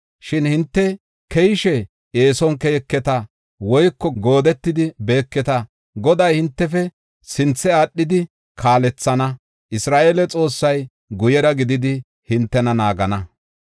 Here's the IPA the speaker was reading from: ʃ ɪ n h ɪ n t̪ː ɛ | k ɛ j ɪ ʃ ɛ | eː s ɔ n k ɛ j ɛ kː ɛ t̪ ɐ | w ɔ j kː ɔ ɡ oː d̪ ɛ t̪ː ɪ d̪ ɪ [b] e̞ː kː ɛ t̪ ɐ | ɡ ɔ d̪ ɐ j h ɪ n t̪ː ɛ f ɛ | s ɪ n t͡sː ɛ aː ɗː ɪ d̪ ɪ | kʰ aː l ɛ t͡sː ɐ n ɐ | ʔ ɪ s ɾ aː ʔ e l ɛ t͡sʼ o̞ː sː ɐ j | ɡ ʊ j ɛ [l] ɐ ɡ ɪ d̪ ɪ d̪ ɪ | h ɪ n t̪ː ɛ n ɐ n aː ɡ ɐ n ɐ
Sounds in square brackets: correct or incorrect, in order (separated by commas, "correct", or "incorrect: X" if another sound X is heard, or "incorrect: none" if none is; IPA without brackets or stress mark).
correct, incorrect: ɾ